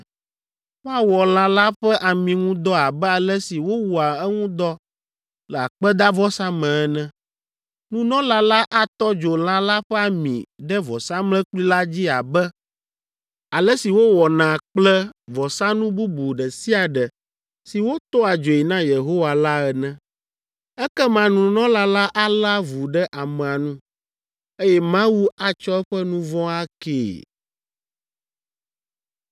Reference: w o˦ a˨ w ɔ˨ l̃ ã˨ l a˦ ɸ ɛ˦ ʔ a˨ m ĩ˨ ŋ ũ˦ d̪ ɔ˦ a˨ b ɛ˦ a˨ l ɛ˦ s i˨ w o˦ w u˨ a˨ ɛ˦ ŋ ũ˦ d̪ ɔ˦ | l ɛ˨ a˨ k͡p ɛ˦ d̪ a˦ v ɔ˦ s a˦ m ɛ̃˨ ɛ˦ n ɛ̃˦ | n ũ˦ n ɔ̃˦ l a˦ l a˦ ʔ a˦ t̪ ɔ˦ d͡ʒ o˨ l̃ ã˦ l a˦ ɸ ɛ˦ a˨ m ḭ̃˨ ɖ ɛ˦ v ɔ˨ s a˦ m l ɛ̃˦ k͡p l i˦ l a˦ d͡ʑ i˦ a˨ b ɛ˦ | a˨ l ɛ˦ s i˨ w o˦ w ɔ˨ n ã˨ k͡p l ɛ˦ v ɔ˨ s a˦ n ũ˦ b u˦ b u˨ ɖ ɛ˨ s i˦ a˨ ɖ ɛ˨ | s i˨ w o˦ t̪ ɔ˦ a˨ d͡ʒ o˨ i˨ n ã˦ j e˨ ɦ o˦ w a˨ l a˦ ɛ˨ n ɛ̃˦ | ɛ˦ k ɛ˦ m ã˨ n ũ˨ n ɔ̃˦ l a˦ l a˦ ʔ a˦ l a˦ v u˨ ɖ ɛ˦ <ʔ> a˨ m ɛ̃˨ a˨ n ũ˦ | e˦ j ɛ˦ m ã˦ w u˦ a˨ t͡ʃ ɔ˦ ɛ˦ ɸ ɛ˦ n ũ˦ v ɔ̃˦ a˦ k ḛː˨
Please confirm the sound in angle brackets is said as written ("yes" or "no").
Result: yes